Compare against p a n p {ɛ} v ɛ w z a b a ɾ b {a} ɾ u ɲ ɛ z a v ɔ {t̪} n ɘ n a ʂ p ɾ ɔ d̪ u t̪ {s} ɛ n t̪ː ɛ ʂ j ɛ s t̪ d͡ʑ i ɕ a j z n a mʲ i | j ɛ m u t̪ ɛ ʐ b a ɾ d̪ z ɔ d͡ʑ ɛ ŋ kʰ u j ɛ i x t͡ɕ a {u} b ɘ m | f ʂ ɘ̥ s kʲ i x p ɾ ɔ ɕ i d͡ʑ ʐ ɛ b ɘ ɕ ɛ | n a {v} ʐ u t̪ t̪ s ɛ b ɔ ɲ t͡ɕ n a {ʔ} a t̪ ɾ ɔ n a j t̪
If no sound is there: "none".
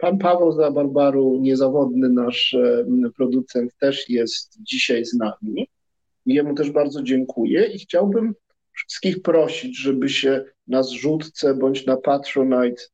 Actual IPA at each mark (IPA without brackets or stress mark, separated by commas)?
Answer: a, a, d̪, s, w, z, p